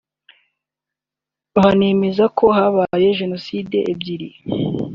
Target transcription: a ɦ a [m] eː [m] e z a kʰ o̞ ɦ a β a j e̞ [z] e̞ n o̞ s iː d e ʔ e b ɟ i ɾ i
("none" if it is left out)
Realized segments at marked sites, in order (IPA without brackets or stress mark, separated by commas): n, m, ʒ